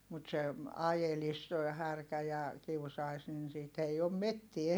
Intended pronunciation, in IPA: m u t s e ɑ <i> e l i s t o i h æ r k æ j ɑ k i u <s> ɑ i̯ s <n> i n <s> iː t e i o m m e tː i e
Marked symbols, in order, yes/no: no, yes, yes, yes

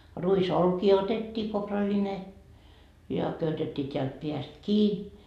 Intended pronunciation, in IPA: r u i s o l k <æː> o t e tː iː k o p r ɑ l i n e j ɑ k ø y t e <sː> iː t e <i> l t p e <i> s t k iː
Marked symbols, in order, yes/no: no, no, no, no

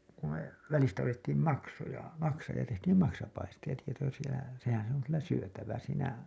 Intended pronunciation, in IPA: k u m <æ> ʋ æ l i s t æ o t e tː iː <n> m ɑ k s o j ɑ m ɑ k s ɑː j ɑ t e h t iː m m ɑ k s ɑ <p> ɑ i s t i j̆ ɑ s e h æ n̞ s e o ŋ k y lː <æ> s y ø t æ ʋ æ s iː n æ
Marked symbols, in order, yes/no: no, no, yes, yes

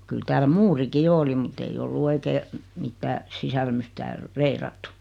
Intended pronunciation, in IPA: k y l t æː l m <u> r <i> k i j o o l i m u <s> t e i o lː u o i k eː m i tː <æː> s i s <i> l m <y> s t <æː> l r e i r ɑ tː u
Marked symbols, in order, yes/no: no, yes, no, yes, no, yes, yes

